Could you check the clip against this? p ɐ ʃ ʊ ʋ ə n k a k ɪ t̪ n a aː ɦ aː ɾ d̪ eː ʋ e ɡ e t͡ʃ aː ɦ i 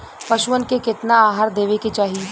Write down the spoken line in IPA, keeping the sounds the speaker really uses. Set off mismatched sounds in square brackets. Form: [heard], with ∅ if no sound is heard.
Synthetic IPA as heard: p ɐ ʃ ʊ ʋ ə n k [e] k ɪ t̪ n a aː ɦ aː ɾ d̪ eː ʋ e [k] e t͡ʃ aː ɦ i